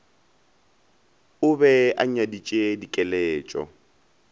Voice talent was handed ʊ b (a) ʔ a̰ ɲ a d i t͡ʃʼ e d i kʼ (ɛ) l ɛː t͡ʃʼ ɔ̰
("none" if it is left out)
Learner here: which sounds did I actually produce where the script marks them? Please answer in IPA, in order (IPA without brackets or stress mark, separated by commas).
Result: ɛ, ɛ